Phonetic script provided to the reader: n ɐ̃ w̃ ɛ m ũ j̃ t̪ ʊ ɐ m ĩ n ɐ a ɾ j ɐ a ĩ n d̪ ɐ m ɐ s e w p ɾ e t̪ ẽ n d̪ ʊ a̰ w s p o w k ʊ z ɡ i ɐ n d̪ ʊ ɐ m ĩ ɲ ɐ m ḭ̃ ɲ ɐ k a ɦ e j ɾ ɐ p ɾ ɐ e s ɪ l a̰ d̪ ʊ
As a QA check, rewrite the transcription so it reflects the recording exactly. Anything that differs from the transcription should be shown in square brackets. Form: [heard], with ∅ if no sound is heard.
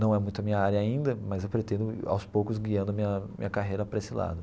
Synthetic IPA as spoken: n ɐ̃ w̃ ɛ m ũ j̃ t̪ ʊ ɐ m ĩ [ɲ] ɐ a ɾ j ɐ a ĩ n d̪ ɐ m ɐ [z] e w p ɾ e t̪ ẽ n d̪ ʊ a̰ w s p o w k ʊ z ɡ i [ɐ̃] n d̪ ʊ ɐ m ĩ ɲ ɐ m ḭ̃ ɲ ɐ k a ɦ e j ɾ ɐ p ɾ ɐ e s ɪ l a̰ d̪ ʊ